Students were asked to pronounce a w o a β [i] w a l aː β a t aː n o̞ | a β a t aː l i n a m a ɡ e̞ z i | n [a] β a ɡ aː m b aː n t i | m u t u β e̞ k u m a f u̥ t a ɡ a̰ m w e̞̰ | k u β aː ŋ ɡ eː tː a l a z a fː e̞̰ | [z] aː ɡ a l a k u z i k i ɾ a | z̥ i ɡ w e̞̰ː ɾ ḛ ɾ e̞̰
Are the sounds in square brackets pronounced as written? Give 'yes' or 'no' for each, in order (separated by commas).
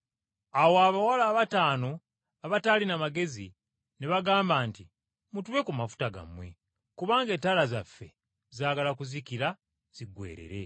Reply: no, no, yes